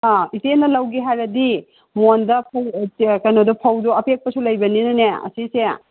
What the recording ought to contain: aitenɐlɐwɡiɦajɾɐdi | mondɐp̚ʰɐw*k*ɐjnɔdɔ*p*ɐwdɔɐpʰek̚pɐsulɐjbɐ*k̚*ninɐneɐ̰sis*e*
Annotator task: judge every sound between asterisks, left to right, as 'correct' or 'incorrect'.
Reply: correct, incorrect, incorrect, correct

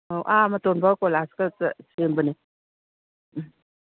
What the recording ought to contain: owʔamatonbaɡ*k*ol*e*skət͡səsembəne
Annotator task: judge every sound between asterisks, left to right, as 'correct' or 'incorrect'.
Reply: correct, incorrect

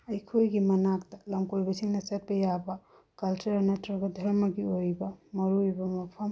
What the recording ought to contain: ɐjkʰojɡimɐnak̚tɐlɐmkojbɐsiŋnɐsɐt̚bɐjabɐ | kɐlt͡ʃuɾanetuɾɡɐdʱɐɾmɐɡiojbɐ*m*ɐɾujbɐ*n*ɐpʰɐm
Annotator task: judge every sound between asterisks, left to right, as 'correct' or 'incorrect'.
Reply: correct, incorrect

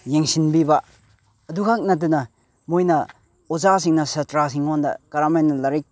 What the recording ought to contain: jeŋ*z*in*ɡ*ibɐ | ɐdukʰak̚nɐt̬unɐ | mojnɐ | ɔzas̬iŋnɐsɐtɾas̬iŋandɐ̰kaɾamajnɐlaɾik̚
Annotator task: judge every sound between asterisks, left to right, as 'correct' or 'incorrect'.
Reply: incorrect, incorrect

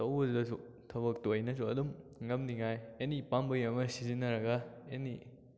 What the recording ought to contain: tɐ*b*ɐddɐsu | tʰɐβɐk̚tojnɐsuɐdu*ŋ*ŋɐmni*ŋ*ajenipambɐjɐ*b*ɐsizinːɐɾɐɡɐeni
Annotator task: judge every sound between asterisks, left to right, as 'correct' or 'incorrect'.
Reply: incorrect, incorrect, correct, incorrect

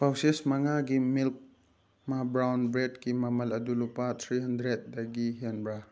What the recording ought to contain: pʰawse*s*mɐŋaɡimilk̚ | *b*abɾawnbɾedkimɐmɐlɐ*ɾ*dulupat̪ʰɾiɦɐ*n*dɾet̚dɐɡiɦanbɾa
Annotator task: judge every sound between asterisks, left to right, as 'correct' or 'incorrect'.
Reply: correct, incorrect, incorrect, correct

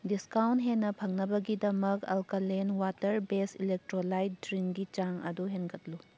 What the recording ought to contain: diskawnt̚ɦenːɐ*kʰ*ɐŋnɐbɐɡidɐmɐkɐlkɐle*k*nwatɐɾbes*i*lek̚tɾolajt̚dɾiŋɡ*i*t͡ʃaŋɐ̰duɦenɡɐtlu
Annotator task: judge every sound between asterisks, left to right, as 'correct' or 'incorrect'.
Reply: incorrect, incorrect, correct, correct

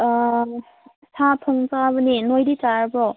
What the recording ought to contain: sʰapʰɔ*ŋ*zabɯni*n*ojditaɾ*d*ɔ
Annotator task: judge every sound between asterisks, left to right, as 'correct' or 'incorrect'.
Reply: correct, correct, incorrect

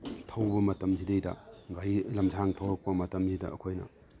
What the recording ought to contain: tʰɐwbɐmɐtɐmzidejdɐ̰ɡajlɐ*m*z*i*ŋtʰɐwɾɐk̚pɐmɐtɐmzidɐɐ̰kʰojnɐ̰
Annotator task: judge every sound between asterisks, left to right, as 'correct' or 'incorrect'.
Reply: correct, incorrect

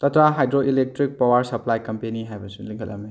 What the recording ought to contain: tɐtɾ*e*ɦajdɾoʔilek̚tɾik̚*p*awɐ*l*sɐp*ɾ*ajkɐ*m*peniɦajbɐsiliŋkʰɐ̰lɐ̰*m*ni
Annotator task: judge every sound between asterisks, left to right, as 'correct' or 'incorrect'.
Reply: incorrect, correct, incorrect, incorrect, correct, correct

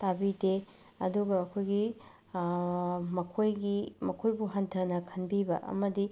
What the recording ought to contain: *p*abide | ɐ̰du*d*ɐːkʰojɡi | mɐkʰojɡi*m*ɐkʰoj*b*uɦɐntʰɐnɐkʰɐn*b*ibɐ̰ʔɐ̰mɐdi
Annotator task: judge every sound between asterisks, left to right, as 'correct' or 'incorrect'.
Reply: incorrect, incorrect, correct, correct, correct

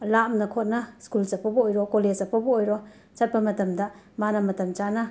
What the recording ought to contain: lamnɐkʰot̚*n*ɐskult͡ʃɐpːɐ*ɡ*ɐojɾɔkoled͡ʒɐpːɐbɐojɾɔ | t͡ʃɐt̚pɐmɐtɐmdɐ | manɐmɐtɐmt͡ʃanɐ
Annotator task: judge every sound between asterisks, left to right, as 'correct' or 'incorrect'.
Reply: correct, incorrect

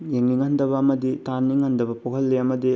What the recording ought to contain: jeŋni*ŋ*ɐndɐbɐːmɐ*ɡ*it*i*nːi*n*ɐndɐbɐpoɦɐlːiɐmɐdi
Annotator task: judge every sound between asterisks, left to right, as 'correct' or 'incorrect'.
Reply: correct, incorrect, incorrect, incorrect

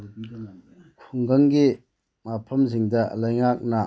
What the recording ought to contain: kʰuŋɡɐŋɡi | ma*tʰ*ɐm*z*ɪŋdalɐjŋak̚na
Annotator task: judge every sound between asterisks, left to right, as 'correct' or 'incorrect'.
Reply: incorrect, correct

